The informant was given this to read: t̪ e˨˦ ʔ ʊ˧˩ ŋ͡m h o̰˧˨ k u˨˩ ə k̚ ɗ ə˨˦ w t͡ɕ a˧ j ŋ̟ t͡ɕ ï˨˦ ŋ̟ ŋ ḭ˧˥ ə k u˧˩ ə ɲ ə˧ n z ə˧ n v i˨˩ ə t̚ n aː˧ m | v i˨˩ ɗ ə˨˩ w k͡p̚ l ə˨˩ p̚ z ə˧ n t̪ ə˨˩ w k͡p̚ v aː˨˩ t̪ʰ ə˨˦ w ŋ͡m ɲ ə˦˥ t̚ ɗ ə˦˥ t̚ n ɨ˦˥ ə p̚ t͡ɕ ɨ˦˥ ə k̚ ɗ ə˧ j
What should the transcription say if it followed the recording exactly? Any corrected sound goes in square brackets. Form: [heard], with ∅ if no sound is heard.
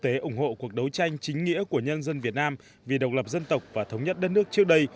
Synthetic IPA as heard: t̪ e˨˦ ʔ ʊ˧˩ ŋ͡m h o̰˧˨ k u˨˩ ə k̚ ɗ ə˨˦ w t͡ɕ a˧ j ŋ̟ t͡ɕ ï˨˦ ŋ̟ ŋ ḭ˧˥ ə k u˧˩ ə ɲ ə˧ n z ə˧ n v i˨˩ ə t̚ n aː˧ m | v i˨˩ ɗ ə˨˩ w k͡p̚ l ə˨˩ p̚ z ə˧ n t̪ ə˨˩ w k͡p̚ v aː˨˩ t̪ʰ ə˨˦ w ŋ͡m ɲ ə˦˥ t̚ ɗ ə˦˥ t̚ n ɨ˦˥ ə [k̚] t͡ɕ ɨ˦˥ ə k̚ ɗ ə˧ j